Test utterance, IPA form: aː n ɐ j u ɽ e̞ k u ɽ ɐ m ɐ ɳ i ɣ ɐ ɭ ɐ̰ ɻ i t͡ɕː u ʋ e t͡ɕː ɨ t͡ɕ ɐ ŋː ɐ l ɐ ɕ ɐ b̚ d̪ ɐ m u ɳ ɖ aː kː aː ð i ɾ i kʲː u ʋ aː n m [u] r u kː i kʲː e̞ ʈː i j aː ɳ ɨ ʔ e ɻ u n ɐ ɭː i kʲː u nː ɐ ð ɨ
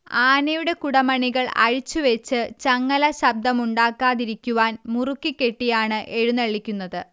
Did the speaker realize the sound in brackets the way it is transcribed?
yes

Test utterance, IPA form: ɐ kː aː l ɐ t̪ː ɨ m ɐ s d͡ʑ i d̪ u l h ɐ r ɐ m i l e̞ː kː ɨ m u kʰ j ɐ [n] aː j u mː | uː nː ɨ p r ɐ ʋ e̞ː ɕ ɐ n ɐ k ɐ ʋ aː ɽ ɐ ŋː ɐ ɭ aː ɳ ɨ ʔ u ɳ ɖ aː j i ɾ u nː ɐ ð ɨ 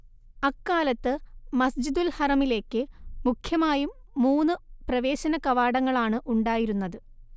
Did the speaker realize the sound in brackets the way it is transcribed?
no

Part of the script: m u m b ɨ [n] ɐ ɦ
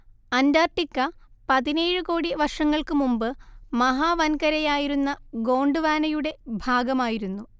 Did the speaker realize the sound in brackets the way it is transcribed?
no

